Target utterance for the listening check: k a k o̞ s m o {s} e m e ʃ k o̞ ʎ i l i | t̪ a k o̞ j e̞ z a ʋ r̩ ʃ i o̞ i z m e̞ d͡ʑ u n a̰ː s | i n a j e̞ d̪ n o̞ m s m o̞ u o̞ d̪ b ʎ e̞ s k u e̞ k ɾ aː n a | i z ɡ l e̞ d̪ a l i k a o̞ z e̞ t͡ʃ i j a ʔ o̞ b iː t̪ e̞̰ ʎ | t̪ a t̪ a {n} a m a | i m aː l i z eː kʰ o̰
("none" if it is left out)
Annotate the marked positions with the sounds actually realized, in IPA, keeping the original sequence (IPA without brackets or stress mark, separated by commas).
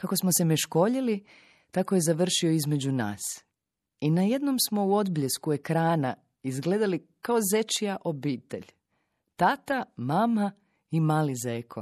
s, m